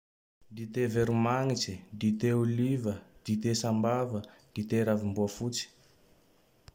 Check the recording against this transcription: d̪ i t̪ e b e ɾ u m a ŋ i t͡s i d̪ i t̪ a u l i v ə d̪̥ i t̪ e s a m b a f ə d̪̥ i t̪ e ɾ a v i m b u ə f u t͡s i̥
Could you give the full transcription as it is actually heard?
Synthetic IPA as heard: d̪ i t̪ e v e ɾ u m a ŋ i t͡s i d̪ i t̪ e u l i v ə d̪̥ i t̪ e s a m b a v ə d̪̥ i t̪ e ɾ a v i m b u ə f u t͡s i̥